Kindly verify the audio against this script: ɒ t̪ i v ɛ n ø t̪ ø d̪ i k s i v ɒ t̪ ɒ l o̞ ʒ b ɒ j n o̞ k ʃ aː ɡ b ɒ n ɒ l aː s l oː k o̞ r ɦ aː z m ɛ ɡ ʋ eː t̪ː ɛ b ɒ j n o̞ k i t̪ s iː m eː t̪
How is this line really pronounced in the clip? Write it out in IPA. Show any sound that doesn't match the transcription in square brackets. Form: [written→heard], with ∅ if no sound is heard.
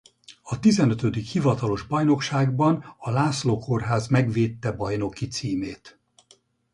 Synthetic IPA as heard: ɒ t̪ i [v→z] ɛ n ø t̪ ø d̪ i k [s→h] i v ɒ t̪ ɒ l o̞ ʒ b ɒ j n o̞ k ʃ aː ɡ b ɒ n ɒ l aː s l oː k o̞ r ɦ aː z m ɛ ɡ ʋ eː t̪ː ɛ b ɒ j n o̞ k i t̪ s iː m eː t̪